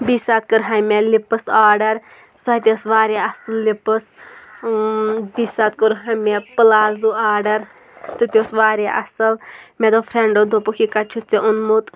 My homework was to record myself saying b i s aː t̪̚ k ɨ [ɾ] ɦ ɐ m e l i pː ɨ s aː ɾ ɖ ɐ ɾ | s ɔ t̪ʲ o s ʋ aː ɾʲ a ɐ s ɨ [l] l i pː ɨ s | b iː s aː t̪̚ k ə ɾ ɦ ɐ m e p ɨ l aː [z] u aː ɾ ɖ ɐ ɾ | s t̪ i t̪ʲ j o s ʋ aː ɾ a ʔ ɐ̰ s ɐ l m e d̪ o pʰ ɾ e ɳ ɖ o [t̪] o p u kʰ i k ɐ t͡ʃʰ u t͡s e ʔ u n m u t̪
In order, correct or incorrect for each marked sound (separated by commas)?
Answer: correct, correct, correct, incorrect